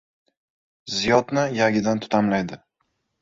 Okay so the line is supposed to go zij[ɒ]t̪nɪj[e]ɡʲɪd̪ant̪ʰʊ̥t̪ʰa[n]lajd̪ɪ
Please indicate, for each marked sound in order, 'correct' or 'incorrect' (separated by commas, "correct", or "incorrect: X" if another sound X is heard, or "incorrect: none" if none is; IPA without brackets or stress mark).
correct, incorrect: a, incorrect: m